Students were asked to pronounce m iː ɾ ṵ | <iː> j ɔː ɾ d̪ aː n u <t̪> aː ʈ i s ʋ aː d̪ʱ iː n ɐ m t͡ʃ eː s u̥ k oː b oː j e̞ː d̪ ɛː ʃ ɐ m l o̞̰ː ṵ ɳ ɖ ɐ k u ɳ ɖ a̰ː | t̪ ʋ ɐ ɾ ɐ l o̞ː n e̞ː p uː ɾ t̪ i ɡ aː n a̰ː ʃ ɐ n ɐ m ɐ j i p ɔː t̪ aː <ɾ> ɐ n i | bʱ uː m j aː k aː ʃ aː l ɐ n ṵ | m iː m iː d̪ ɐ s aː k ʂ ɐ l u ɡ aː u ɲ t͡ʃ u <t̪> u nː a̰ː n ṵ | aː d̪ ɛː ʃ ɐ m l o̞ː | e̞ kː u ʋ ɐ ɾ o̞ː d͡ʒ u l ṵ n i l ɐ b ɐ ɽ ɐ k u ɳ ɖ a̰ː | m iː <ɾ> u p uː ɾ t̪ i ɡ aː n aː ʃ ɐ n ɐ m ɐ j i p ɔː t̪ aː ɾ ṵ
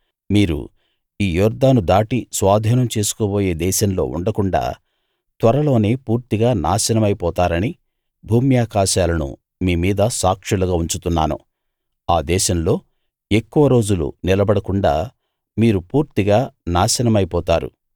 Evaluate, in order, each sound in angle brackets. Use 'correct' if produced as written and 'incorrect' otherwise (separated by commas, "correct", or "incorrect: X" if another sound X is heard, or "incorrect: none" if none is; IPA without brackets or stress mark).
correct, incorrect: d̪, correct, correct, correct